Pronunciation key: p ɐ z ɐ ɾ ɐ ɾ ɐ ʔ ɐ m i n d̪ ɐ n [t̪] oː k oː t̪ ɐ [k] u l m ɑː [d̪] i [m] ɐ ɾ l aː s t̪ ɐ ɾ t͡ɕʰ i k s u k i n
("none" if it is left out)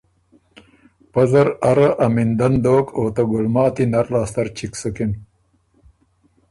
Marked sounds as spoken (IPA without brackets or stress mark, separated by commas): d̪, ɡ, t̪, n